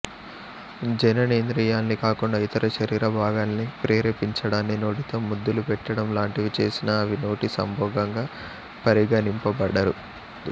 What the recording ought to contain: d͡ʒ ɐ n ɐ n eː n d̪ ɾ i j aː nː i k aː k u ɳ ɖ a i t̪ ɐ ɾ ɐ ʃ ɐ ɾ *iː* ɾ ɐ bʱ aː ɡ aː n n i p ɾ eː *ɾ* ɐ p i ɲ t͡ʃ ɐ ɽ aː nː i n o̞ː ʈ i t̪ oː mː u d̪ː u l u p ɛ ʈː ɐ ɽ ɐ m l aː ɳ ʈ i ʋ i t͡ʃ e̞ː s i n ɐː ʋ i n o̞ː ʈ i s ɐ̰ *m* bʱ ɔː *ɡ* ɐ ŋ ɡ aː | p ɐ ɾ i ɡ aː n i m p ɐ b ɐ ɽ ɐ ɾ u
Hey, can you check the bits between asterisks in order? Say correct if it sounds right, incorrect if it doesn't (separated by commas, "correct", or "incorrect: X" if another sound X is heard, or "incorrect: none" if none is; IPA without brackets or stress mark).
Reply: correct, correct, correct, correct